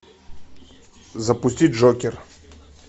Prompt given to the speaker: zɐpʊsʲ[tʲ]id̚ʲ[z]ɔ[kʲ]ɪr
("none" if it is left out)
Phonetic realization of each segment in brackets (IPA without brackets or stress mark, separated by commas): tʲ, ʐ, kʲ